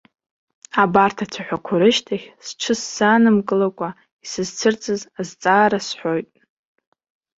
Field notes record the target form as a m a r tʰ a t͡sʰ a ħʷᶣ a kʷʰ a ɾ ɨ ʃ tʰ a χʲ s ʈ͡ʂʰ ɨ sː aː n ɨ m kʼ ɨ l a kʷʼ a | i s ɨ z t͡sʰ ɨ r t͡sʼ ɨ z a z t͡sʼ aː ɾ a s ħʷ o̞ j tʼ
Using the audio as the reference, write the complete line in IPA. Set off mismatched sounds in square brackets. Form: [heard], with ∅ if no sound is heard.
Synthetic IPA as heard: a [b] a r tʰ a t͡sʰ a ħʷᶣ a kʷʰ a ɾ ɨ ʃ tʰ a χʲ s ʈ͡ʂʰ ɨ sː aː n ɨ m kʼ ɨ l a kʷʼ a | i s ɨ z t͡sʰ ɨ r t͡sʼ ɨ z a z t͡sʼ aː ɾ a s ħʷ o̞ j tʼ